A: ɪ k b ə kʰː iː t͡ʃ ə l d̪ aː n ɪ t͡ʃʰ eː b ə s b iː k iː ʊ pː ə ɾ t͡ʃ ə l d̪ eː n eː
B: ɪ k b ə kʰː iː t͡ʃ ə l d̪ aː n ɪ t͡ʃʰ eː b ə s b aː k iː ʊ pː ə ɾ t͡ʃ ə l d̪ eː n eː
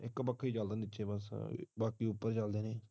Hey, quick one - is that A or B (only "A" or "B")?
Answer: B